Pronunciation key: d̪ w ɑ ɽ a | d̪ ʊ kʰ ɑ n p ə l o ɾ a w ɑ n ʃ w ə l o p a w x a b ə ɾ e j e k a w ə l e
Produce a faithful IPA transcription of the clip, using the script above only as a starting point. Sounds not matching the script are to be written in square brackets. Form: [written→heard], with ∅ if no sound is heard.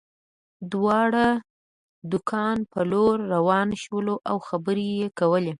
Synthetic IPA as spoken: d̪ w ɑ ɽ a | d̪ ʊ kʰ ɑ n p ə l o [ɾ→ɾː] a w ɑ n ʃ w ə l o [p→ʔ] a w x a b ə ɾ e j e k a w ə l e